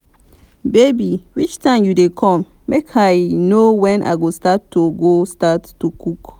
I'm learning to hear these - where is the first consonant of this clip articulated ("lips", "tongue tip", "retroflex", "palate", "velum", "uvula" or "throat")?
lips